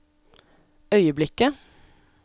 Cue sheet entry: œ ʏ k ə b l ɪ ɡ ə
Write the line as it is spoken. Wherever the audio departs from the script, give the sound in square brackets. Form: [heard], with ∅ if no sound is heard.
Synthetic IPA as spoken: œ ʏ [∅] ə b l ɪ [k] ə